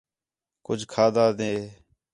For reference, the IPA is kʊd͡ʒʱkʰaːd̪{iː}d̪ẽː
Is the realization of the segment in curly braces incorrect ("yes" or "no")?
yes